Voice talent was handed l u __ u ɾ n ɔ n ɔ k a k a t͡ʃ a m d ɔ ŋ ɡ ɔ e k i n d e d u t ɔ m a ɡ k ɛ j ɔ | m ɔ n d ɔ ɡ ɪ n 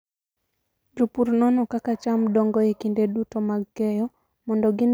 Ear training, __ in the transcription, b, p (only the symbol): p